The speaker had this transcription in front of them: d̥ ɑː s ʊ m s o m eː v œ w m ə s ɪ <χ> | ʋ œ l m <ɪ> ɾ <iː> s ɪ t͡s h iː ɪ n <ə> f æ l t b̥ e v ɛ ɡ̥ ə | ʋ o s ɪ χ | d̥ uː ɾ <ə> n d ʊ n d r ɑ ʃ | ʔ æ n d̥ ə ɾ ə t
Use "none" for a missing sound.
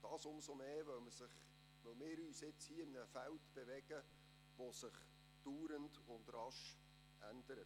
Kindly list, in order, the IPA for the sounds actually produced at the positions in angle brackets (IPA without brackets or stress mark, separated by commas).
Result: χ, ɪː, yː, ə, ə